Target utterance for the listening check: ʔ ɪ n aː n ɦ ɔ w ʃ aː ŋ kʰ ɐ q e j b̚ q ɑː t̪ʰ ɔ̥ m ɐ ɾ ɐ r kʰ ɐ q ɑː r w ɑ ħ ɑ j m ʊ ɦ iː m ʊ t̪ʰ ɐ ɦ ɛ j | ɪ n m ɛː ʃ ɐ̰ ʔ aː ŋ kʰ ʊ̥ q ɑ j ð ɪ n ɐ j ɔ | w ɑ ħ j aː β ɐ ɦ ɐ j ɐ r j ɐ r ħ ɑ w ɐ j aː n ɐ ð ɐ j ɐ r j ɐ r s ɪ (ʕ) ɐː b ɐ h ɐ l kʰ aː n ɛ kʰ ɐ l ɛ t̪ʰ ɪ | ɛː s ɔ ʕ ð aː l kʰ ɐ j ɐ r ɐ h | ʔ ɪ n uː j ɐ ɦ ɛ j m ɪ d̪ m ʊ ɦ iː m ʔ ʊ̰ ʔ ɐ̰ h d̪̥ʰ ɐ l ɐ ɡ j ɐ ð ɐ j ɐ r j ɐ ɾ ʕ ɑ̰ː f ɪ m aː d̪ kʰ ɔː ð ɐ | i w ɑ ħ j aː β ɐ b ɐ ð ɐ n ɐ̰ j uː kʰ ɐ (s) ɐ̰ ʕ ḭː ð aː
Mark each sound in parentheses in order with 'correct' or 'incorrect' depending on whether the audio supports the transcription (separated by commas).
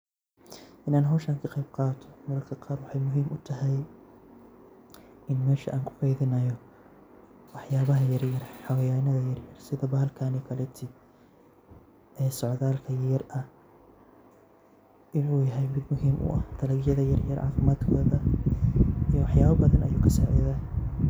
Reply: incorrect, correct